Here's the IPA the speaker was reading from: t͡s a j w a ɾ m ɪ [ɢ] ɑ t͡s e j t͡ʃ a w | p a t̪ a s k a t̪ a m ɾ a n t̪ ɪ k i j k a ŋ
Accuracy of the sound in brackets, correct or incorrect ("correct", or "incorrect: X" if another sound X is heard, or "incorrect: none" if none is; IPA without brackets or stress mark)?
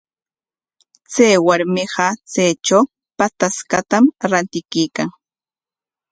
correct